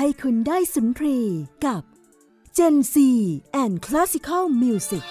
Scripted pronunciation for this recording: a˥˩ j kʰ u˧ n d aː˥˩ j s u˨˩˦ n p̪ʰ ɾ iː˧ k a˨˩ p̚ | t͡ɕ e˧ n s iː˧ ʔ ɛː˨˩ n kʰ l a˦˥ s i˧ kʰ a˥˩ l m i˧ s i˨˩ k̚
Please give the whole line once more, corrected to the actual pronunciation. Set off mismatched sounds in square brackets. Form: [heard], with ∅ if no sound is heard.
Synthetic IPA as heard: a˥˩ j kʰ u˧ n d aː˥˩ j s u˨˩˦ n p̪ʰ ɾ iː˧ k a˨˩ p̚ | t͡ɕ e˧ n s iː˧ ʔ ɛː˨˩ n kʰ l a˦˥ s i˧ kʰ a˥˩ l m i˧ s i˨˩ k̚